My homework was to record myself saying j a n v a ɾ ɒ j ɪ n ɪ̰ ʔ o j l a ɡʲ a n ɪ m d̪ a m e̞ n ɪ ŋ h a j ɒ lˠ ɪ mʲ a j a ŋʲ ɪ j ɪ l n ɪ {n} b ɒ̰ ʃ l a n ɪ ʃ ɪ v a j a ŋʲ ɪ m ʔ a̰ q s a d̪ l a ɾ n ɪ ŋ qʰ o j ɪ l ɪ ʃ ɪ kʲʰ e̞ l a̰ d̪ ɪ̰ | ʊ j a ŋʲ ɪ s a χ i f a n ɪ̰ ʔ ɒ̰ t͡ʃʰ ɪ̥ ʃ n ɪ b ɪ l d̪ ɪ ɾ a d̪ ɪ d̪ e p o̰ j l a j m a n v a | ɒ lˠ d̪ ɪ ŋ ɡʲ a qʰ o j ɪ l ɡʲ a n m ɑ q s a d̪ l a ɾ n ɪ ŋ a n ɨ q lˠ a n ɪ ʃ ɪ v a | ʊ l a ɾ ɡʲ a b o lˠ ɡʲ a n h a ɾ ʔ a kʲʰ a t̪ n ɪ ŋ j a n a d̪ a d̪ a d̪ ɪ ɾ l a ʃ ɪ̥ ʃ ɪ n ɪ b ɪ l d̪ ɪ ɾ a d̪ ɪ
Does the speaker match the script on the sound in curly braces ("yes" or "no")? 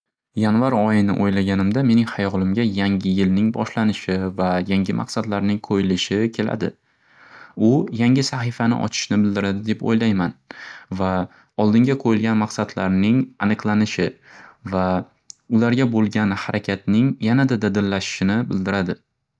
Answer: no